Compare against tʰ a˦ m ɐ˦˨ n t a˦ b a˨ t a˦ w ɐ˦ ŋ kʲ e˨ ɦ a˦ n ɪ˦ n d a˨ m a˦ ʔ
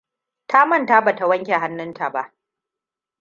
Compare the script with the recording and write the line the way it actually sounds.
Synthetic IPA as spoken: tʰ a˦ m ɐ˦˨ n t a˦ b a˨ t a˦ w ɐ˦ ŋ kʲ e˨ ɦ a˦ nː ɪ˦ n t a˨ b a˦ ʔ